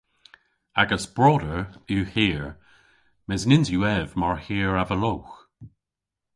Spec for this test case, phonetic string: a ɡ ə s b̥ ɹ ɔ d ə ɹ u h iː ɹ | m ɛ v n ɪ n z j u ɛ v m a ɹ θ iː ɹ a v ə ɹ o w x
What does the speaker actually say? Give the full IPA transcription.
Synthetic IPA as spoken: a ɡ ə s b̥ ɹ ɔ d ə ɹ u h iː ɹ | m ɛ z n ɪ n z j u ɛ v m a ɹ h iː ɹ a v ə l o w x